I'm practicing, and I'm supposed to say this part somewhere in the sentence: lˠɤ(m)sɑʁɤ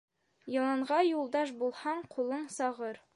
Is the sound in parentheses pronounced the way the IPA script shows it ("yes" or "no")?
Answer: no